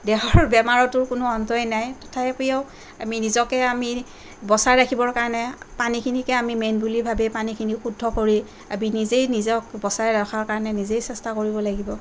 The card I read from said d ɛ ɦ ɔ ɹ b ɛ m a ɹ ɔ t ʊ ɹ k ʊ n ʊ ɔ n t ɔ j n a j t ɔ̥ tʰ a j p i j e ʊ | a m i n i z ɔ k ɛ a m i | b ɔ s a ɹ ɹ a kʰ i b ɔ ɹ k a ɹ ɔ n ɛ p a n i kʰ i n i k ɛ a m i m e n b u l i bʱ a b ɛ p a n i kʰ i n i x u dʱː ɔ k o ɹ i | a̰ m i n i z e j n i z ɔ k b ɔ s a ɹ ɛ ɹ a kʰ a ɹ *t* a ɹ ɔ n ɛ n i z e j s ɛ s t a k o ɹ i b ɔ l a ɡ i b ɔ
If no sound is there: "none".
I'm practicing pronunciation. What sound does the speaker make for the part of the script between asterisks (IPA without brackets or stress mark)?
k